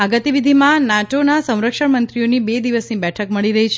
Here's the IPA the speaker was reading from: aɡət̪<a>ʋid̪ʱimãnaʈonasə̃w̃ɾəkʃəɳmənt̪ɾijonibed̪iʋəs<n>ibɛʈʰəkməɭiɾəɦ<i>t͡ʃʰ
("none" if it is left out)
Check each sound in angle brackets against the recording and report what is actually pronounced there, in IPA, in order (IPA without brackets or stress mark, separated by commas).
i, n, i